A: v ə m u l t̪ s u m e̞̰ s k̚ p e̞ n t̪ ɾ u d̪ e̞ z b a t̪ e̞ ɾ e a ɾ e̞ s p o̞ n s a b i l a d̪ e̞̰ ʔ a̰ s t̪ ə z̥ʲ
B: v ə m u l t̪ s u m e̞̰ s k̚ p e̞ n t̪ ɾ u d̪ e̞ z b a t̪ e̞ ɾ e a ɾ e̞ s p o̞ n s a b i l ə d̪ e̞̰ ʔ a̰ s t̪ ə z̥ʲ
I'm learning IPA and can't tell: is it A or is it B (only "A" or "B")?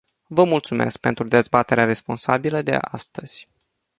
B